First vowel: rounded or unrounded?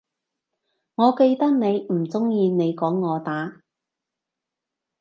rounded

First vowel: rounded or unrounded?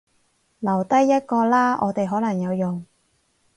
unrounded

